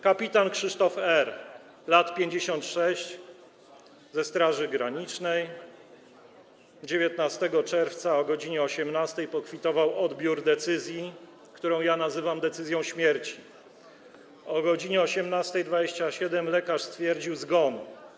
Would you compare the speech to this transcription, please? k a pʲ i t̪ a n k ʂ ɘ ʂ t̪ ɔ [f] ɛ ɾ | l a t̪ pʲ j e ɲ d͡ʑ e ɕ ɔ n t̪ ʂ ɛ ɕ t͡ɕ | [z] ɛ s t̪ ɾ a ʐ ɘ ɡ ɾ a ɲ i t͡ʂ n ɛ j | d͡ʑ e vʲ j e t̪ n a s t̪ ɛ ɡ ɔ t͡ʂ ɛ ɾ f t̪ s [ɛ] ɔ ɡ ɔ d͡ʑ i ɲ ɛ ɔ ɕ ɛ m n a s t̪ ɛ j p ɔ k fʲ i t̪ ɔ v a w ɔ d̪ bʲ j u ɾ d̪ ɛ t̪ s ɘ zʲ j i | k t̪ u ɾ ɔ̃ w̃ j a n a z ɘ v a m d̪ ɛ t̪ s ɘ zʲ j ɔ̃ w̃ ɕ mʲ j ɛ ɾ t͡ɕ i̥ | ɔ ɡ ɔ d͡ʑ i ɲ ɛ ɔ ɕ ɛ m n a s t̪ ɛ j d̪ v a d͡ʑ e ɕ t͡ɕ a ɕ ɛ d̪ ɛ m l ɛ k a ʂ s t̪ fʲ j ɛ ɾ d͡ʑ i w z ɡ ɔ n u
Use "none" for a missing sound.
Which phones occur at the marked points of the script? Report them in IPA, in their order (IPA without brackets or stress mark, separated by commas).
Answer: f, z, a